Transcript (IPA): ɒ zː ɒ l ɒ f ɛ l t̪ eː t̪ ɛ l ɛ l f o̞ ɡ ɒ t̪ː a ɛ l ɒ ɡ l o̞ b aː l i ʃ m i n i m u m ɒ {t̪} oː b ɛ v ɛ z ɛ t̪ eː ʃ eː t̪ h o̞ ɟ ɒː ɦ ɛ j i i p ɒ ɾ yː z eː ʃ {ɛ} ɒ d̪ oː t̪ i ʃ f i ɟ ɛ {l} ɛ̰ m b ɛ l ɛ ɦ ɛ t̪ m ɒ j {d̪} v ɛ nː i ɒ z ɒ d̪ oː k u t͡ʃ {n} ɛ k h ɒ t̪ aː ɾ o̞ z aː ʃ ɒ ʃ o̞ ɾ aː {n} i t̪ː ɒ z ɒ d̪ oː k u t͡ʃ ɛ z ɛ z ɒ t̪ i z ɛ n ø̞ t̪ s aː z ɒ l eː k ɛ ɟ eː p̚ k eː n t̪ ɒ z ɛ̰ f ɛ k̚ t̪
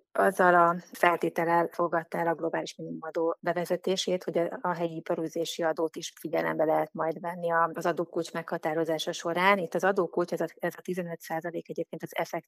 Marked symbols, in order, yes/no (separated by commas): no, no, yes, yes, no, yes